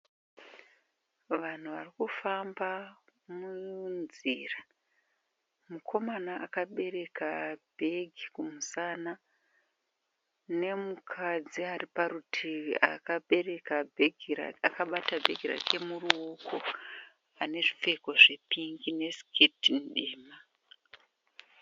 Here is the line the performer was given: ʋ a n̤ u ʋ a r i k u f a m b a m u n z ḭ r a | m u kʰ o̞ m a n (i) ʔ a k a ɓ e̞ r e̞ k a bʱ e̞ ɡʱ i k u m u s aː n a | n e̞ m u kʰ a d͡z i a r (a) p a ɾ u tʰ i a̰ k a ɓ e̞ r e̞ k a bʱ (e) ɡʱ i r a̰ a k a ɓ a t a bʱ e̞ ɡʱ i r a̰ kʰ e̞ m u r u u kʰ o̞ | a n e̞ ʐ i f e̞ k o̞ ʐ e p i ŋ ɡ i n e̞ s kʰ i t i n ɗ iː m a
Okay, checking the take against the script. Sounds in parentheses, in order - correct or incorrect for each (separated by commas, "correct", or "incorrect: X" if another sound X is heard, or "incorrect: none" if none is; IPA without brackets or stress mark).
incorrect: a, incorrect: i, correct